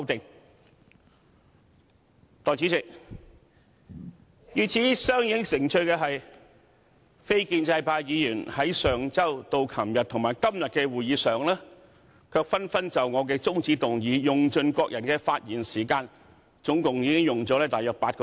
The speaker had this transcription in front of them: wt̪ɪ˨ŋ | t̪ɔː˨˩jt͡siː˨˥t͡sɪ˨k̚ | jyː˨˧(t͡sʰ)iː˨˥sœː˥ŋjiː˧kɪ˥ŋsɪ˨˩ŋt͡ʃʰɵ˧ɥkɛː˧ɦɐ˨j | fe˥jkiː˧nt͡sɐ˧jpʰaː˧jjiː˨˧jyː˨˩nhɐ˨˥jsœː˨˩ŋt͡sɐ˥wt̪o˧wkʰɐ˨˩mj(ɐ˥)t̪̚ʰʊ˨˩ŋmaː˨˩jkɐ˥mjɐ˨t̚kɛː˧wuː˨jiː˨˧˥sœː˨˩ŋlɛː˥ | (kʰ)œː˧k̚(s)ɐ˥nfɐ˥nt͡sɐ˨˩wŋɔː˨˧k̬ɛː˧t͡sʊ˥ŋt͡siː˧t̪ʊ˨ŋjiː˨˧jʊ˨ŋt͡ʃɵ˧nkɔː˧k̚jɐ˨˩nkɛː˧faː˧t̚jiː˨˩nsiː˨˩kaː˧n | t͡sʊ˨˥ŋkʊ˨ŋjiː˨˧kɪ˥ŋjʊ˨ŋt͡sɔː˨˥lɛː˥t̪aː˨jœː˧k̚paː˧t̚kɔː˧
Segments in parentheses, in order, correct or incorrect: correct, incorrect: ɐ˨, correct, incorrect: f

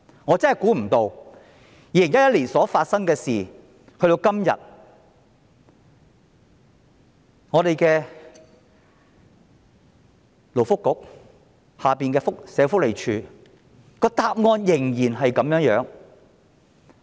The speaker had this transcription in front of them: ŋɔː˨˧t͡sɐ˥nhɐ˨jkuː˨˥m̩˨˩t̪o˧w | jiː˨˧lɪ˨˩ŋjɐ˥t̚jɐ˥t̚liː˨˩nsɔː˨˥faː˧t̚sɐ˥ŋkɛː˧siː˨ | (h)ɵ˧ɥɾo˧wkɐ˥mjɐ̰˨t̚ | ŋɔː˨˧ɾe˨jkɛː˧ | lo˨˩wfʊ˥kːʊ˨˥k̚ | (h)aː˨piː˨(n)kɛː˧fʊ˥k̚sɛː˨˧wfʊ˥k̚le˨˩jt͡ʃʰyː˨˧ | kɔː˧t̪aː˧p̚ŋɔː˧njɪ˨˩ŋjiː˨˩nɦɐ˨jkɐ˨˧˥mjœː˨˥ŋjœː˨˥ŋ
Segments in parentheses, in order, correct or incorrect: correct, correct, correct

